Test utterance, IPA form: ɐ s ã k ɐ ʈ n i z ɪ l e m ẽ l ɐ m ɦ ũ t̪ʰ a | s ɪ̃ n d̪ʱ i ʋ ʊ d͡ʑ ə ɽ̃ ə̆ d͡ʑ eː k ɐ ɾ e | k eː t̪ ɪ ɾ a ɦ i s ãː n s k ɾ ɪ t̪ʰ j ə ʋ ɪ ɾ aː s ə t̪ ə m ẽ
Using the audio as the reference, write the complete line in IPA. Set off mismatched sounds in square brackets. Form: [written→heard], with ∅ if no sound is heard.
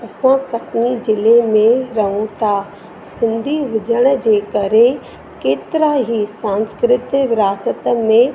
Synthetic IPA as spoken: ɐ s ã k ɐ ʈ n i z ɪ l e m ẽ [l→ɾ] ɐ [m→∅] ɦ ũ t̪ʰ a | s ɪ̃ n d̪ʱ i ʋ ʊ d͡ʑ ə ɽ̃ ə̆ d͡ʑ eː k ɐ ɾ e | k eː t̪ ɪ ɾ a ɦ i s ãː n s k ɾ ɪ [t̪ʰ→t̪] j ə ʋ ɪ ɾ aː s ə t̪ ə m ẽ